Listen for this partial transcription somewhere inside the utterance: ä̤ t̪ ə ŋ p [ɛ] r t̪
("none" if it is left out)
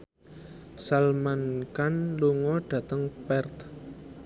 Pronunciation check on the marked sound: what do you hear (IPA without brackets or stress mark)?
ɛ